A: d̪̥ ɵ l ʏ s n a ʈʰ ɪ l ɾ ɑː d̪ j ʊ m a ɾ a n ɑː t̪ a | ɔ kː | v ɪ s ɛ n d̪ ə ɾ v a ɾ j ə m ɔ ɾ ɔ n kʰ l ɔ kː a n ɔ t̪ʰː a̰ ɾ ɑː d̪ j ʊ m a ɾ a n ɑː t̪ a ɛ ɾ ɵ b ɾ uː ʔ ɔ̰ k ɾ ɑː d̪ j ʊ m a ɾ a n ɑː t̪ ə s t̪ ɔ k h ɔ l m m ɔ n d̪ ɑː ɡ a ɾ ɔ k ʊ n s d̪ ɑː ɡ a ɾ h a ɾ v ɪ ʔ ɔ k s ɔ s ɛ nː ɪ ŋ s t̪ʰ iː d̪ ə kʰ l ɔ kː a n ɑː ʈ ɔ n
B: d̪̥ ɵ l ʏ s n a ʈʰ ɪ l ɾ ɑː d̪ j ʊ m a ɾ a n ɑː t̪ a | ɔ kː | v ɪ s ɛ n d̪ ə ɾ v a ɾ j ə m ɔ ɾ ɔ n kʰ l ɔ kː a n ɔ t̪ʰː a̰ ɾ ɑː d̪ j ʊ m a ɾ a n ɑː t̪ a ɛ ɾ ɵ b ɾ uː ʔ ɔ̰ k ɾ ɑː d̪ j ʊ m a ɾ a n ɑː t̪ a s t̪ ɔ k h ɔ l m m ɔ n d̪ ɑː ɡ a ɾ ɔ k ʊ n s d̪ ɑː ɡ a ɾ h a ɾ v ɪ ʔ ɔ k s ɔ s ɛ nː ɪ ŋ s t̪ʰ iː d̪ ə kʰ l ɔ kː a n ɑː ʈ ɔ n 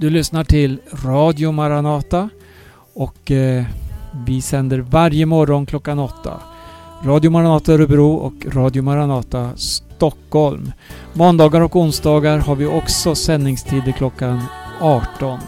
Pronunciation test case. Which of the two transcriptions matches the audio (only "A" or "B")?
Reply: B